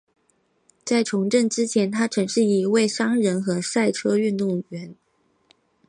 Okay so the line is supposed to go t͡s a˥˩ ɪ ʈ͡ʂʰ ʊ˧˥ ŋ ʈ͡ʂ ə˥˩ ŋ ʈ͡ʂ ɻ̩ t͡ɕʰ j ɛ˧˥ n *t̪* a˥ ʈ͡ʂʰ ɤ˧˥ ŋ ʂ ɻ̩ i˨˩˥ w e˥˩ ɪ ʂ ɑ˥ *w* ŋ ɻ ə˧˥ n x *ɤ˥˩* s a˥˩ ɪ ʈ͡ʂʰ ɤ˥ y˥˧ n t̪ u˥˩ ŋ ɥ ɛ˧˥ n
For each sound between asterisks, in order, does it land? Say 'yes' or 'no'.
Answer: no, no, no

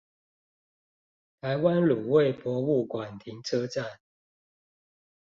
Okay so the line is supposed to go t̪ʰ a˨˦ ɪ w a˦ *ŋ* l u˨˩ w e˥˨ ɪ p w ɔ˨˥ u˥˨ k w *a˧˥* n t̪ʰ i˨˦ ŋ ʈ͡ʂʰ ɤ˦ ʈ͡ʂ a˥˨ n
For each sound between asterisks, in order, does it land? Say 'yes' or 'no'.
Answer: no, no

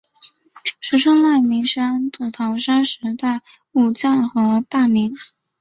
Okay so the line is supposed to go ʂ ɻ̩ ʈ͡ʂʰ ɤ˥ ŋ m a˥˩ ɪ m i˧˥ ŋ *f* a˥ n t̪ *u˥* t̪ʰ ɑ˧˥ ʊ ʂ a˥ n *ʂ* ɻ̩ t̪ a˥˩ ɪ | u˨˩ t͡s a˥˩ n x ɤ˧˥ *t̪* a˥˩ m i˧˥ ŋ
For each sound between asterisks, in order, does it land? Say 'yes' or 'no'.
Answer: no, no, yes, yes

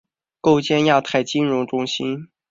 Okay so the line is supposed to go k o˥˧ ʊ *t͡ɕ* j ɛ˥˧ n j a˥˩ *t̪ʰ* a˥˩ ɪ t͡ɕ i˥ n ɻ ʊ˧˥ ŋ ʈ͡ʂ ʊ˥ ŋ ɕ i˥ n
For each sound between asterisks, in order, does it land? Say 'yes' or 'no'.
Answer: yes, yes

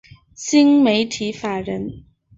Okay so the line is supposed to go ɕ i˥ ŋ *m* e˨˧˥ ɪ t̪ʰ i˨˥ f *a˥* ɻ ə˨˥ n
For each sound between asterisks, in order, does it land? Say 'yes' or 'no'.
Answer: yes, no

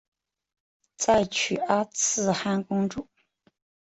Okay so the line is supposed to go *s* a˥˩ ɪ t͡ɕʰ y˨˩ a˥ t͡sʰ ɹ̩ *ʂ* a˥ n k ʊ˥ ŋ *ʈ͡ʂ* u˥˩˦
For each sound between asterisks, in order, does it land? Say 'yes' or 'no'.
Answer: no, no, yes

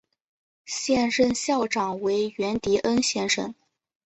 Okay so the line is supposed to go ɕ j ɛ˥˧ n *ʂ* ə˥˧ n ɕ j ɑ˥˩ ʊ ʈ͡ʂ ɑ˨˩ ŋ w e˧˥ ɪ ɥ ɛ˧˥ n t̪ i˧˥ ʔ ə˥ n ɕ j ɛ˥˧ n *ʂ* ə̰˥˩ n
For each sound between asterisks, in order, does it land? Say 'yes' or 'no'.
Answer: yes, yes

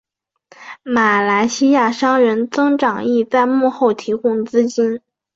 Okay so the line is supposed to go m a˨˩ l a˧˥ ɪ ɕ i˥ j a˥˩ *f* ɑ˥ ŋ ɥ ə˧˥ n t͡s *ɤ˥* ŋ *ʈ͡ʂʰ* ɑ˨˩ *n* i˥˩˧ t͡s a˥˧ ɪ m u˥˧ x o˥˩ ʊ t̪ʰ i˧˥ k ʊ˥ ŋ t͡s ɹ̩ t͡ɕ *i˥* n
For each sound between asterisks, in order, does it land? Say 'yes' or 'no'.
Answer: no, yes, no, no, yes

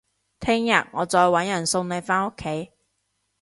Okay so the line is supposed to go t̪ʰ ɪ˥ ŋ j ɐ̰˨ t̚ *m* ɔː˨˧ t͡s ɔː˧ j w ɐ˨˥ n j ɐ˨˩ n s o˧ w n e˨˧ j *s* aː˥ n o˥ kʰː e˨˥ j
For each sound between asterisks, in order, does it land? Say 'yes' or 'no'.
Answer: no, no

